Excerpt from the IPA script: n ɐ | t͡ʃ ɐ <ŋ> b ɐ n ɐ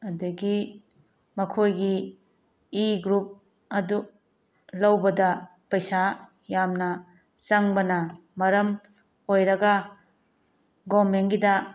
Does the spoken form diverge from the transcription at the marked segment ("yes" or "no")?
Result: no